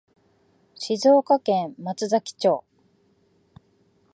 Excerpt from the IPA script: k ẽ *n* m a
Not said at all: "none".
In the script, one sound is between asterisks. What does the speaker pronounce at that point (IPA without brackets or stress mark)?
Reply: m